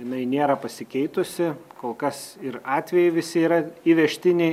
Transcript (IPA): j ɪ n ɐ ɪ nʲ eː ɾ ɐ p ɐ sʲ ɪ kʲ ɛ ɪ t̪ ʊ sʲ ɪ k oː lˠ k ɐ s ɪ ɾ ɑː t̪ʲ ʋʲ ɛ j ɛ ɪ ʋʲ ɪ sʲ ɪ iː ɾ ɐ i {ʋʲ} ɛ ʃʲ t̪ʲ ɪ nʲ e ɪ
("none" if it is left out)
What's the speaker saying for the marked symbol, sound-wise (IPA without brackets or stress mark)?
ʋʲ